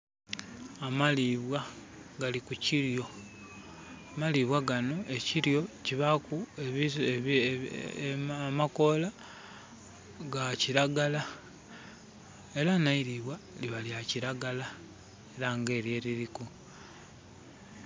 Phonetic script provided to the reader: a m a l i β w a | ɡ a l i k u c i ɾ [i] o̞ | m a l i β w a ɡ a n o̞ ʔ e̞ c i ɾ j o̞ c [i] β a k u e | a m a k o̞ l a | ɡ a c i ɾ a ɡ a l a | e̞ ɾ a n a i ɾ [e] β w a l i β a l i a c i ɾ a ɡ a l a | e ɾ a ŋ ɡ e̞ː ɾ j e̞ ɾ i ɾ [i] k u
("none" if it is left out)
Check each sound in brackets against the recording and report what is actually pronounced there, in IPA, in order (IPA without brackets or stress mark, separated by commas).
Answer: j, i, i, i